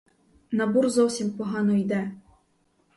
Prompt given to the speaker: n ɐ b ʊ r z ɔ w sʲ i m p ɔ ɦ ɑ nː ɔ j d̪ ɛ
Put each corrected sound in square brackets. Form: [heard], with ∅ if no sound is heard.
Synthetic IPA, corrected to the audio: n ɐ b [u] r z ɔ w sʲ i m p ɔ ɦ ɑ [n] ɔ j d̪ ɛ